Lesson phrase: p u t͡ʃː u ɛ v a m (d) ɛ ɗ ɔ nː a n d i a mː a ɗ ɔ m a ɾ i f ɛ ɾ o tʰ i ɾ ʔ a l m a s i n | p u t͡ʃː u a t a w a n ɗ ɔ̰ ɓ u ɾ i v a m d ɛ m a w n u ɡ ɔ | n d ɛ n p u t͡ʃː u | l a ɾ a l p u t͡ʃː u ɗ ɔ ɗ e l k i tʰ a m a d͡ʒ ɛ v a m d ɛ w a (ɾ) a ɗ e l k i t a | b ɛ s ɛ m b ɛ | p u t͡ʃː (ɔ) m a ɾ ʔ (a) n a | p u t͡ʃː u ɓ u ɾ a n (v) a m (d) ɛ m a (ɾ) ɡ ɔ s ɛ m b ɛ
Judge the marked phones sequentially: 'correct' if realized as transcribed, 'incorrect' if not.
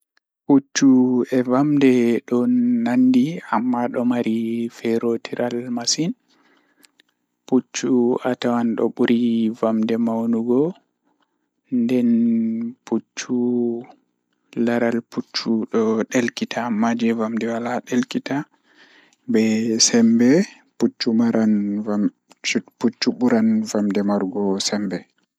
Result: correct, incorrect, incorrect, correct, correct, correct, correct

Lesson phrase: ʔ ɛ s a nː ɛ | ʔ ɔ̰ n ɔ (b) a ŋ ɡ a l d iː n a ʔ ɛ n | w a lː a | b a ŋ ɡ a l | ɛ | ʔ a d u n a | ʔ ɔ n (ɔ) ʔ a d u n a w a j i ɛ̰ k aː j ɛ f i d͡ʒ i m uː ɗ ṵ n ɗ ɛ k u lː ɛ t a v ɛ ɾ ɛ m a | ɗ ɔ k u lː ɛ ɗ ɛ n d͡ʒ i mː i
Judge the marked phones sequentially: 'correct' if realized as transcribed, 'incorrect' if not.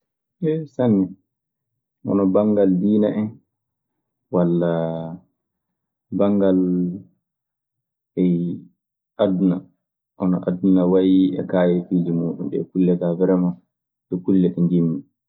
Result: correct, correct

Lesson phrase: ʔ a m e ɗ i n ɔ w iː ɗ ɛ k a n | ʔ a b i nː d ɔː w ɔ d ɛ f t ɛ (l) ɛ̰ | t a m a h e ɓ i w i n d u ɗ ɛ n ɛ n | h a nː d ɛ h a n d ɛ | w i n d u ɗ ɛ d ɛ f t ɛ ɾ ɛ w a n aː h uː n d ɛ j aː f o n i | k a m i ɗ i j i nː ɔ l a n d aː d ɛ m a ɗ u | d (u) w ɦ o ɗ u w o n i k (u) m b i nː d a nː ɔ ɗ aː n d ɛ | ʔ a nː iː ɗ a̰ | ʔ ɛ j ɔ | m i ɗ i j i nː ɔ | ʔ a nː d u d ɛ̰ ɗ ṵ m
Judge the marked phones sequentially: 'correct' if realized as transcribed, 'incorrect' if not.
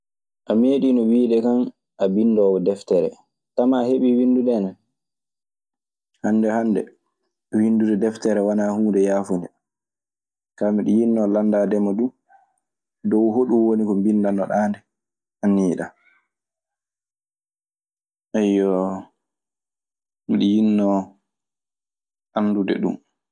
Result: incorrect, incorrect, incorrect

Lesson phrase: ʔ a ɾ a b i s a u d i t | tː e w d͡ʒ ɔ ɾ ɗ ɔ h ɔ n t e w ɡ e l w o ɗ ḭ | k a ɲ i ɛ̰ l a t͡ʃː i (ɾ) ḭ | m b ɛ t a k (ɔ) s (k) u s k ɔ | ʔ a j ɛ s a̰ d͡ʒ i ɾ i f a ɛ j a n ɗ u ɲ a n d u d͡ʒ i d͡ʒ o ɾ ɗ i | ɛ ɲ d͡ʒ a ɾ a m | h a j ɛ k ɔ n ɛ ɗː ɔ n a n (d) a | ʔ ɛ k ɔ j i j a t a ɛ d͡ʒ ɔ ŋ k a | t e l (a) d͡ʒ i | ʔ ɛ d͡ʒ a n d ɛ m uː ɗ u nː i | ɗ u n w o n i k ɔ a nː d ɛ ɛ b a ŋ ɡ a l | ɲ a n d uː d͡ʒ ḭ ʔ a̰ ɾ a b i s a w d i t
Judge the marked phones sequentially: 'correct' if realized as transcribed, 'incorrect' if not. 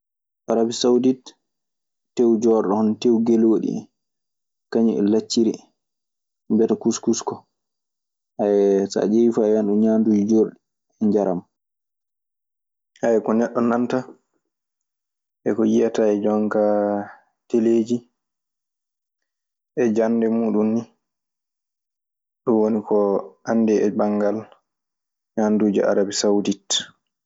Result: correct, incorrect, correct, incorrect, incorrect

